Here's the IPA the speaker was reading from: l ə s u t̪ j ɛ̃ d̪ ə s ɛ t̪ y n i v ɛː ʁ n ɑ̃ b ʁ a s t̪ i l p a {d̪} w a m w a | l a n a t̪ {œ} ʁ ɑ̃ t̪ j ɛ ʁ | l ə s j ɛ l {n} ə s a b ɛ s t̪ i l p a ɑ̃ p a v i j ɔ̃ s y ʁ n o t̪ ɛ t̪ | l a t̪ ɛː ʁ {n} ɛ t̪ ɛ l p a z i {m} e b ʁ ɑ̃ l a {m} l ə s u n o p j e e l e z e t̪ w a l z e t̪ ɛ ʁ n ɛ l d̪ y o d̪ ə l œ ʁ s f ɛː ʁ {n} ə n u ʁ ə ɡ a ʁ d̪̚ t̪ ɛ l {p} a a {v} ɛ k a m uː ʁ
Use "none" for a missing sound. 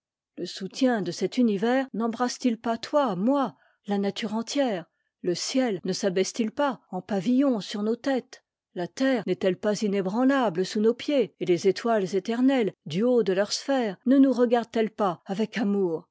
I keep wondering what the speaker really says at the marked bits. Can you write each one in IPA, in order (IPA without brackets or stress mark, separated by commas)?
t̪, y, n, n, n, b, n, p, v